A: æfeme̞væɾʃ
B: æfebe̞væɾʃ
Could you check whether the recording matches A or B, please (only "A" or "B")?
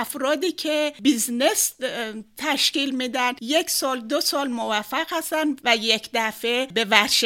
B